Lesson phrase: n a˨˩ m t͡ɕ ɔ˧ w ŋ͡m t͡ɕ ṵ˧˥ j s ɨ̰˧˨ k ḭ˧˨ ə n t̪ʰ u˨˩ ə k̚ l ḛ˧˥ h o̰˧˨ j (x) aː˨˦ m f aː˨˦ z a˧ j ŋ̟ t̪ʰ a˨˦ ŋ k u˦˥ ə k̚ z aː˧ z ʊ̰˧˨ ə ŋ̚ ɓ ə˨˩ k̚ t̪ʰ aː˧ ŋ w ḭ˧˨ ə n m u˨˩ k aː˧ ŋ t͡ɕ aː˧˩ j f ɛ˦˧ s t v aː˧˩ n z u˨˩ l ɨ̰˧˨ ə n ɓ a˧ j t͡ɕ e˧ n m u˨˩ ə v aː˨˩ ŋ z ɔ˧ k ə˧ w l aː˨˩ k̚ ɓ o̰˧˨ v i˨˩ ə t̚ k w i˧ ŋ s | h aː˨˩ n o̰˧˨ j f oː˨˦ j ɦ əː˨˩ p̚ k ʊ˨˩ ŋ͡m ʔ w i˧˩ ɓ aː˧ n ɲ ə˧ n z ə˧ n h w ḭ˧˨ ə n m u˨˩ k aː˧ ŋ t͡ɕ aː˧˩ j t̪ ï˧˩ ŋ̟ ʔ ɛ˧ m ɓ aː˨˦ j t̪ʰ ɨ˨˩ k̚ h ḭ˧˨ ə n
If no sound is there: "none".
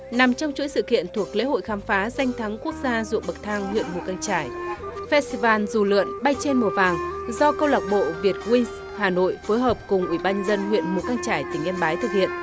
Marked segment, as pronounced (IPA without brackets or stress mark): x